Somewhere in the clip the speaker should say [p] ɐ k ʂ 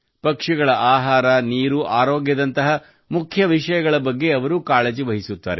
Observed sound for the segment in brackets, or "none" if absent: p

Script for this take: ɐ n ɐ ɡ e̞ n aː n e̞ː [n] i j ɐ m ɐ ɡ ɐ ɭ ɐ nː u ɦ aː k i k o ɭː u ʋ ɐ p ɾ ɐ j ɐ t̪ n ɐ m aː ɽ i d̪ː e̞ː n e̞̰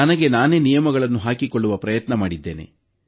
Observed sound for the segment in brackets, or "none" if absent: n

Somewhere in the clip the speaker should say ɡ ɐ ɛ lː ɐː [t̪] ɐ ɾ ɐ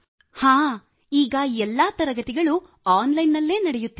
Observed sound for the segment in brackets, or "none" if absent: t̪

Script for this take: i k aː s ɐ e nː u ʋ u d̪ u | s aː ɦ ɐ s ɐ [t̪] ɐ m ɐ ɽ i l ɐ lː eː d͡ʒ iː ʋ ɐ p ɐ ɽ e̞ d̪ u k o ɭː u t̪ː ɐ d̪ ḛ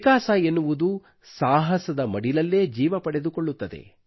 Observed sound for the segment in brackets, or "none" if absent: d̪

